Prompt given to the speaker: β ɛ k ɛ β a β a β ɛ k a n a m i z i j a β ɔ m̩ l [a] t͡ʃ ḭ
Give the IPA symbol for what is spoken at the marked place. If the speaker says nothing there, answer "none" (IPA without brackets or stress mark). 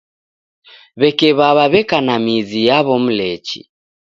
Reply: ɛ